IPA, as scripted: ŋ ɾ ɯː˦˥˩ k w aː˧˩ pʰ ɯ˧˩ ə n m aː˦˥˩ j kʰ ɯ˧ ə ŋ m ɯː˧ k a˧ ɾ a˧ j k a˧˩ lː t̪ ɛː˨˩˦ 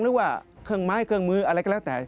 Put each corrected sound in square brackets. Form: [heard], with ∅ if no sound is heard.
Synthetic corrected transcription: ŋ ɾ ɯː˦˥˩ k w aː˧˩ [kʰ] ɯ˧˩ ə [ŋ] m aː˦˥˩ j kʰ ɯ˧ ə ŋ m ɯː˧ [ʔ] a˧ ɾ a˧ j k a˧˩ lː t̪ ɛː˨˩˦